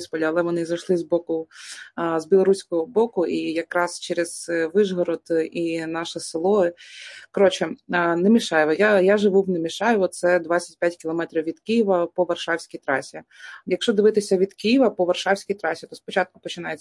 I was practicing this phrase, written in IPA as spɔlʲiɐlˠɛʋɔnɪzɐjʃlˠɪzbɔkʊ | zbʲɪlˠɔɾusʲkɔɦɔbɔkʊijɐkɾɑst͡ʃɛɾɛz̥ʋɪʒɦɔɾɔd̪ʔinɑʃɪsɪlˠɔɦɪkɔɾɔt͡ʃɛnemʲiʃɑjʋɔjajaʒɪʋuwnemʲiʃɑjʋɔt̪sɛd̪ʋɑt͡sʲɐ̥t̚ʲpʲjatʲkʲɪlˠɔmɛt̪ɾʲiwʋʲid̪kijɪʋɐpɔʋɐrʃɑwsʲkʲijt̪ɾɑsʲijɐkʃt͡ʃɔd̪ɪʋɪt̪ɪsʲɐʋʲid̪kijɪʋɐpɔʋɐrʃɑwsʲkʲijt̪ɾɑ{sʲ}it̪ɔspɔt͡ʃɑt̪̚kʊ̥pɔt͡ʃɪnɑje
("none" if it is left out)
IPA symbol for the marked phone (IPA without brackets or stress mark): sʲ